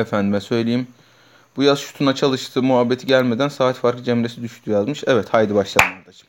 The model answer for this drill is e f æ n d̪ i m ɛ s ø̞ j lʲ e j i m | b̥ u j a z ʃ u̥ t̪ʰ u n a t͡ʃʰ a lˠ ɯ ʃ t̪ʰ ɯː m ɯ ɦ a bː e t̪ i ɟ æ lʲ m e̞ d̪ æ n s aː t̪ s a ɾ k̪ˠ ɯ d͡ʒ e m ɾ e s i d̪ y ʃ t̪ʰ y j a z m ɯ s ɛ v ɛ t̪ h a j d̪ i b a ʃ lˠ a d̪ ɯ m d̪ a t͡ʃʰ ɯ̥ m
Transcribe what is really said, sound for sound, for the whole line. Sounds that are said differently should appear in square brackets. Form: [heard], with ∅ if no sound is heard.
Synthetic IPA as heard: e f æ n d̪ i m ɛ s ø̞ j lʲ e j i m | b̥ u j a z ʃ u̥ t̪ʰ u n a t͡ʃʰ a lˠ ɯ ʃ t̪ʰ ɯː m [u] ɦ a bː e [t̪ʰ] i ɟ æ lʲ m e̞ d̪ æ n s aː t̪ [f] a ɾ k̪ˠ ɯ d͡ʒ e m ɾ e s i d̪ y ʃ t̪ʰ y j a z m ɯ [ʃ] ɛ v ɛ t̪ h a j d̪ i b a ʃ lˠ a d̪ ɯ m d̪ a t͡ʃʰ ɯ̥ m